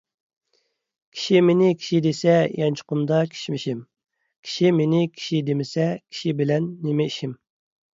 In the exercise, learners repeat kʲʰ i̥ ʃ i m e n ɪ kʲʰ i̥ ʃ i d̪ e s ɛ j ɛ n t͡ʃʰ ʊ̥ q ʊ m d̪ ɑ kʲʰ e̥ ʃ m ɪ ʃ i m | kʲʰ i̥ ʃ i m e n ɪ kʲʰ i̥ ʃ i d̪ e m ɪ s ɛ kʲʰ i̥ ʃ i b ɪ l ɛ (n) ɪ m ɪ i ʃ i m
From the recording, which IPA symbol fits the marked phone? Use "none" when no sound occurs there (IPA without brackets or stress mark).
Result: nː